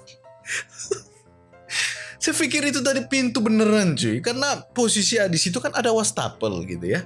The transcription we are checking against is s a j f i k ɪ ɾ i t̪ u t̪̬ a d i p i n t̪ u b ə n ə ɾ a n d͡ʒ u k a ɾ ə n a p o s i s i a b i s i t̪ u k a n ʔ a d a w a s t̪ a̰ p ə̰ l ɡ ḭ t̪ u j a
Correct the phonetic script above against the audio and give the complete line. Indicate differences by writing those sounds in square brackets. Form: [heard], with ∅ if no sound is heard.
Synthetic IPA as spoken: s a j f i k ɪ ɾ i t̪ u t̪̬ a d i p i n t̪ u b ə n ə ɾ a n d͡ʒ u k a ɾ ə n a p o s i s i a [d] i s i t̪ u k a n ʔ a d a w a s t̪ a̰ p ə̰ l ɡ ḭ t̪ u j a